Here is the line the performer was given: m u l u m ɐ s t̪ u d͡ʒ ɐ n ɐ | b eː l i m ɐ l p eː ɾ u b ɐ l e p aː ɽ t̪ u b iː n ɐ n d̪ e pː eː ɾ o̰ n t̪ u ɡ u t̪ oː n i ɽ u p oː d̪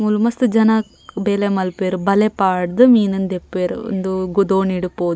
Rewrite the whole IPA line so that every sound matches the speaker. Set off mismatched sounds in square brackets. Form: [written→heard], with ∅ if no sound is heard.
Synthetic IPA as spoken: m u l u m ɐ s t̪ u d͡ʒ ɐ n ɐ | b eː l [i→e] m ɐ l p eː ɾ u b ɐ l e p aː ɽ [t̪→d̪] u [b→m] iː n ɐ n d̪ e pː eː ɾ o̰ n [t̪→d̪] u ɡ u [t̪→d̪] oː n i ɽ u p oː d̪

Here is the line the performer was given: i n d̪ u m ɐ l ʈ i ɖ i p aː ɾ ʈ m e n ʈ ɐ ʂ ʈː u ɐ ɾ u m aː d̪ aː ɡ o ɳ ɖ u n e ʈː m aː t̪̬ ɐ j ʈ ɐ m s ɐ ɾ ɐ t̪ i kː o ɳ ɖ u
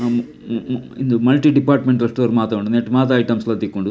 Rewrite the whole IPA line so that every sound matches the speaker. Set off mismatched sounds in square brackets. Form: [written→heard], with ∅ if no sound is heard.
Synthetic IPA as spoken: i n d̪ u m ɐ l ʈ i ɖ i p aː ɾ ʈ m e [n→ɳ] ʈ ɐ ʂ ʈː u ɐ ɾ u m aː [d̪→t̪] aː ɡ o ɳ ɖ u n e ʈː m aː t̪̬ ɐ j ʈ ɐ m s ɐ [ɾ→l] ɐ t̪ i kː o ɳ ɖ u

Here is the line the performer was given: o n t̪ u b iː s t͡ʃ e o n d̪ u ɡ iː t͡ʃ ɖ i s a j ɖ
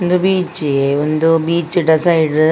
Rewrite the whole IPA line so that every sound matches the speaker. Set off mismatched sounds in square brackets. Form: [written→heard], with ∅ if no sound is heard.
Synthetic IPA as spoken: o n [t̪→d̪] u b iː [s→∅] t͡ʃ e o n d̪ u [ɡ→b] iː t͡ʃ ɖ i s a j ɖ

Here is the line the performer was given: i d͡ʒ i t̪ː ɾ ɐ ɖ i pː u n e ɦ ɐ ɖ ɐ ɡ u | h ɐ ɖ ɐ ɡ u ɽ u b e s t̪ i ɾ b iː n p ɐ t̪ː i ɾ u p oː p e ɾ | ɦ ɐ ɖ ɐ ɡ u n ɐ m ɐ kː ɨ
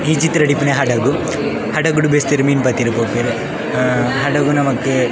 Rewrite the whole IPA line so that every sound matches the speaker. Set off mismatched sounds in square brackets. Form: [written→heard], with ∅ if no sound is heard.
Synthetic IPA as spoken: i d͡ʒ i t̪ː ɾ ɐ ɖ i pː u n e ɦ ɐ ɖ ɐ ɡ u | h ɐ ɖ ɐ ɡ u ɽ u b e s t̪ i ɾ [b→m] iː n p ɐ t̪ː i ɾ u p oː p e ɾ | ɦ ɐ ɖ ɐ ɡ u n ɐ m ɐ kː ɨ

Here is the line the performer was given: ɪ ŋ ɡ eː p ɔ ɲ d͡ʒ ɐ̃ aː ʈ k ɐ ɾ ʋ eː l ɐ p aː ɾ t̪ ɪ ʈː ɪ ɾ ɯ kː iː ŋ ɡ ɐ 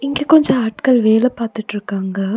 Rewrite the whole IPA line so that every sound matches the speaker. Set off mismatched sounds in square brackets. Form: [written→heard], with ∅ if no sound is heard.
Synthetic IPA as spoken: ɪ ŋ ɡ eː [p→k] ɔ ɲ d͡ʒ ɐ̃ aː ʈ k ɐ [ɾ→ɭ] ʋ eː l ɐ p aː ɾ t̪ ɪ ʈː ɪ ɾ ɯ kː [iː→aː] ŋ ɡ ɐ

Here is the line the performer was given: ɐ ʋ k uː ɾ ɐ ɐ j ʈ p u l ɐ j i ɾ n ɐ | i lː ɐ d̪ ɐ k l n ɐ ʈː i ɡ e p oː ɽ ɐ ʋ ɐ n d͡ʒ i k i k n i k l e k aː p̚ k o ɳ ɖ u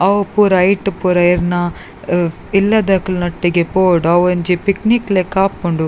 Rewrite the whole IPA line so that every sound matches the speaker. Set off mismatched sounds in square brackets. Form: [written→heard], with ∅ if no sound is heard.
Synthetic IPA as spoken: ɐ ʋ [k→p] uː ɾ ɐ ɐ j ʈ p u [l→ɾ] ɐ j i ɾ n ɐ | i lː ɐ d̪ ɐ k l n ɐ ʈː i ɡ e p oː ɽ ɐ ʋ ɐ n d͡ʒ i [k→p] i k n i k l e k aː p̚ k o ɳ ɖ u

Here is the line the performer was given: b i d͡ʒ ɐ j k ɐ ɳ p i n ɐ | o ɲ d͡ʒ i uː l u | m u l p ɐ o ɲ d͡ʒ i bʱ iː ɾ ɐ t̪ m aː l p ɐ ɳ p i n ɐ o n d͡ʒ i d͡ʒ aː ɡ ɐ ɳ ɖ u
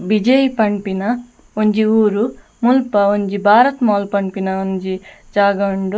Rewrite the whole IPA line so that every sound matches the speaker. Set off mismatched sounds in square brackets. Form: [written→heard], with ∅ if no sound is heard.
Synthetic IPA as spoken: b i d͡ʒ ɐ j [k→p] ɐ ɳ p i n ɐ | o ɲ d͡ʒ i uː [l→ɾ] u | m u l p ɐ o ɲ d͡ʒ i bʱ [iː→aː] ɾ ɐ t̪ m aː l p ɐ ɳ p i n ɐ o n d͡ʒ i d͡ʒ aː ɡ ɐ ɳ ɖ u

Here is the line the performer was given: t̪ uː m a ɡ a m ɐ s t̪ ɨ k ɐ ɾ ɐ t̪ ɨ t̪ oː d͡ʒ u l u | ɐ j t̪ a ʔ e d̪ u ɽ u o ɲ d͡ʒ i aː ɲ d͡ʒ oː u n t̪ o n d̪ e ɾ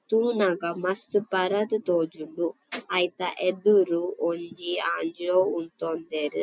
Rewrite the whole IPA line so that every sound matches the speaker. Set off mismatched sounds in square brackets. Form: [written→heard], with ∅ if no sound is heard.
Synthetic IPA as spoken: t̪ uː [m→n] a ɡ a m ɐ s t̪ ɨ [k→p] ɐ ɾ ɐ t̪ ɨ t̪ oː d͡ʒ u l u | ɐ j t̪ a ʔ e d̪ u [ɽ→ɾ] u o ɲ d͡ʒ i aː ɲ d͡ʒ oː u n t̪ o n d̪ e ɾ

